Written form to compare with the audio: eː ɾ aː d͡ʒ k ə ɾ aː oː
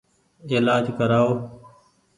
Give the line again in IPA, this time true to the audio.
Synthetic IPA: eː l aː d͡ʒ k ə ɾ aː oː